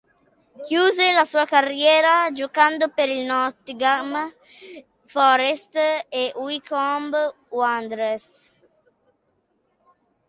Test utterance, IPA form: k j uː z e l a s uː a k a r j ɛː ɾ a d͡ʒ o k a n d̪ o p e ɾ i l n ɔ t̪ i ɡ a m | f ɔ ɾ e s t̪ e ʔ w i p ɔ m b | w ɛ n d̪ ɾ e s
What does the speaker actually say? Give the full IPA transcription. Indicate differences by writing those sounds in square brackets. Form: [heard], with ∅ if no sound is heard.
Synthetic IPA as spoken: k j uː z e l a s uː a k a r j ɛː ɾ a d͡ʒ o k a n d̪ o p e ɾ i l n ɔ t̪ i ɡ a m | f ɔ ɾ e s t̪ e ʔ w i [k] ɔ m b | w [a] n d̪ ɾ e s